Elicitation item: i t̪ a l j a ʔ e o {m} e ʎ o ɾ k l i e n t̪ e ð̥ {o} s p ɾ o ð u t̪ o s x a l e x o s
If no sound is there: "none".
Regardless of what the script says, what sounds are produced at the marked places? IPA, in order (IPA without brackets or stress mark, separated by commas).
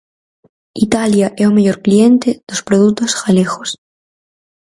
m, o